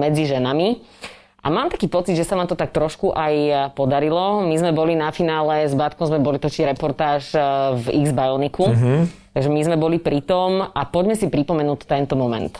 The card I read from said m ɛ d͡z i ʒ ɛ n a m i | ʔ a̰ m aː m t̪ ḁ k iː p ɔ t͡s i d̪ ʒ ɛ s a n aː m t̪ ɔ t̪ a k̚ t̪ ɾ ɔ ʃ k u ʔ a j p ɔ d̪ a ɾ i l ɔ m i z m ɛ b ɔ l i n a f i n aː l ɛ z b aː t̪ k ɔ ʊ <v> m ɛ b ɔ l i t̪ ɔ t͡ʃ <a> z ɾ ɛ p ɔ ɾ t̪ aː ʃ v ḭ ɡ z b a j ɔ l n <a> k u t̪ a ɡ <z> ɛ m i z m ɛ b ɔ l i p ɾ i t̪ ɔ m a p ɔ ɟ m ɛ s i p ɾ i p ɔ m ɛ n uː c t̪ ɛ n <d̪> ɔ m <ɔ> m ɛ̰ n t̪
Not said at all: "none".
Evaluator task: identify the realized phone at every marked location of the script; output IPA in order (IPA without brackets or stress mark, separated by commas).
z, i, i, ʒ, t̪, ɔ